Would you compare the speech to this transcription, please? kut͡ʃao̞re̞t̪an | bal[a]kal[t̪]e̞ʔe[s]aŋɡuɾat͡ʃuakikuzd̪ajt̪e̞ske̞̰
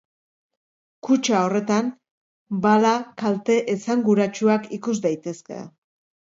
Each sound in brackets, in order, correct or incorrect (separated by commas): correct, correct, correct